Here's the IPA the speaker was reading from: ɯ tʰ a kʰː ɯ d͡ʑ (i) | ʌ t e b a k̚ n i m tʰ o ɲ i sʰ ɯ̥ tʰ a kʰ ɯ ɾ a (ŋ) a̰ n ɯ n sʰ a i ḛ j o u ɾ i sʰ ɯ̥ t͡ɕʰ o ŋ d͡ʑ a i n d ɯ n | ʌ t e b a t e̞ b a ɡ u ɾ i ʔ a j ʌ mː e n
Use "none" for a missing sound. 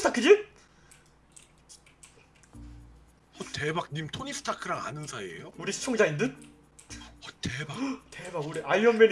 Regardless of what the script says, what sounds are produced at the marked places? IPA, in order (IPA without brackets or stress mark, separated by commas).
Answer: i, ŋ